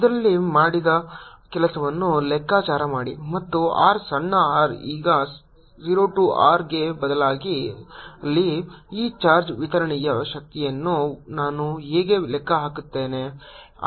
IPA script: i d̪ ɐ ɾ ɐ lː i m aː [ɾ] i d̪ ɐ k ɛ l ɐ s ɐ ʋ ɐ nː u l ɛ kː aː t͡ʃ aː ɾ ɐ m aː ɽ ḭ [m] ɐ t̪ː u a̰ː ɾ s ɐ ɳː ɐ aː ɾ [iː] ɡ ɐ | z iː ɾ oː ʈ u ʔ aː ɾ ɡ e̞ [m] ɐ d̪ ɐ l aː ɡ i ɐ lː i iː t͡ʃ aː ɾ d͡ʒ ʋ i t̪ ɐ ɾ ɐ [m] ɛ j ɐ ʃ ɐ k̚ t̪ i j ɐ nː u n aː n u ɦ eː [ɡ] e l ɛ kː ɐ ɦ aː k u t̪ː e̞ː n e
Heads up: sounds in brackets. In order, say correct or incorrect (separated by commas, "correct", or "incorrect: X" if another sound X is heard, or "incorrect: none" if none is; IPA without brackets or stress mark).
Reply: incorrect: ɽ, correct, correct, incorrect: b, incorrect: ɳ, correct